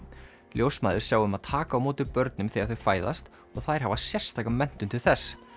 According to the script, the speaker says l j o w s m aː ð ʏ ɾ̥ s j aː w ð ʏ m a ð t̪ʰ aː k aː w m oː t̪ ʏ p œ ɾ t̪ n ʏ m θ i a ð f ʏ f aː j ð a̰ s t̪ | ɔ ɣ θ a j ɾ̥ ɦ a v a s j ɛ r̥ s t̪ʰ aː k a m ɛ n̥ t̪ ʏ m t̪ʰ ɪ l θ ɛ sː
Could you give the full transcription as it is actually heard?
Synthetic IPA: l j o w s m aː ð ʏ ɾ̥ s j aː w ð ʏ m a ð t̪ʰ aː k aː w m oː t̪ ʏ p œ ɾ t̪ n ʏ m θ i a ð θ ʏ f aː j ð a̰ s t̪ | ɔ ɣ θ a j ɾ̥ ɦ a v a s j ɛ r̥ s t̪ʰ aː k a m ɛ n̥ t̪ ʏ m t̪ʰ ɪ l θ ɛ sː